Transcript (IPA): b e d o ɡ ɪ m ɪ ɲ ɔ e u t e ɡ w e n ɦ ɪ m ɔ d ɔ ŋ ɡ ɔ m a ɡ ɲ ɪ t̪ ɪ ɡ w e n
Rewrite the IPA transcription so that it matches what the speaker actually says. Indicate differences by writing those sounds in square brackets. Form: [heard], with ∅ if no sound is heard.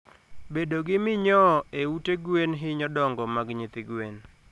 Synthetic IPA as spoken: b e d o ɡ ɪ m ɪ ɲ ɔ e u t e ɡ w e n ɦ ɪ [ɲ] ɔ d ɔ ŋ ɡ ɔ m a ɡ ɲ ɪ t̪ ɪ ɡ w e n